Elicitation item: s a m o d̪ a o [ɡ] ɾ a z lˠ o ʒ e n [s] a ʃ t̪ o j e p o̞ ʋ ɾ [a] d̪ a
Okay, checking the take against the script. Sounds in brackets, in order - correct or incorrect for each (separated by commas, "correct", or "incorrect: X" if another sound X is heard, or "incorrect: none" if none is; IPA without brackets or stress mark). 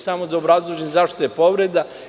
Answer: incorrect: b, incorrect: z, incorrect: e